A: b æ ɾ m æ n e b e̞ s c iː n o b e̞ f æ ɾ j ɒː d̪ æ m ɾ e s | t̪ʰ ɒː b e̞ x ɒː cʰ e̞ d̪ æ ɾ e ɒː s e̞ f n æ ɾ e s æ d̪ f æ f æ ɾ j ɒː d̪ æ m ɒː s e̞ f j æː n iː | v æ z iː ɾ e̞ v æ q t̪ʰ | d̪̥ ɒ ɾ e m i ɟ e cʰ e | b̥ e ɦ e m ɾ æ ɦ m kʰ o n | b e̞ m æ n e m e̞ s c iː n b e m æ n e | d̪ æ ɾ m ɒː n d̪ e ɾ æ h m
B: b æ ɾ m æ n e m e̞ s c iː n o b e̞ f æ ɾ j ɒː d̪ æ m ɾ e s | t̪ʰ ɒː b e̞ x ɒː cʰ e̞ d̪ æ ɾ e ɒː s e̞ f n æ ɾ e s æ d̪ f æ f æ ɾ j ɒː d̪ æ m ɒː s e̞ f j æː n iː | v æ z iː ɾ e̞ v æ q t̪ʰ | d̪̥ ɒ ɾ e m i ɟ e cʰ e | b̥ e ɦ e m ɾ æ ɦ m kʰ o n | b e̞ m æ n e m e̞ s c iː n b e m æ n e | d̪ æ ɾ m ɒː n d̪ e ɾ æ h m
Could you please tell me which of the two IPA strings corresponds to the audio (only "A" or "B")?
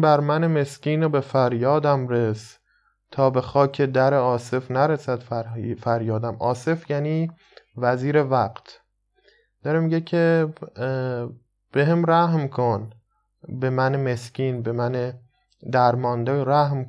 B